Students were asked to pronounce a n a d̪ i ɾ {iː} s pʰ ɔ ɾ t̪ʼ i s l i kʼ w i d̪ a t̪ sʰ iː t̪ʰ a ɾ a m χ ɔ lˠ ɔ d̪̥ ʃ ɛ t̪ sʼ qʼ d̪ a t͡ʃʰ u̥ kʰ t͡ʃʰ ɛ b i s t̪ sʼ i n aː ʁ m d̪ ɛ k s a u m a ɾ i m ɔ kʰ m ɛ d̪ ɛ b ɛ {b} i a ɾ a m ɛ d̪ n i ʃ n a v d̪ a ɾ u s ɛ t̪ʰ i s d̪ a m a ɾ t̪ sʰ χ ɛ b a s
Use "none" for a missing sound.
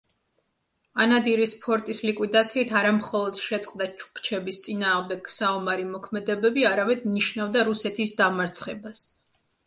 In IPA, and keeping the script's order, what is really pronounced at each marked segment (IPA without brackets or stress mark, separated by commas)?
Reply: i, b